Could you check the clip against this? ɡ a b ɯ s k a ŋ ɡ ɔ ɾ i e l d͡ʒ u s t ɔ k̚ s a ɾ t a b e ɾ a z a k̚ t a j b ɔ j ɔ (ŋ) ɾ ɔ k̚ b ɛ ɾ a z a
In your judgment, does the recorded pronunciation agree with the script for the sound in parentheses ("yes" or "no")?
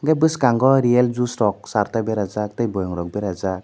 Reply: yes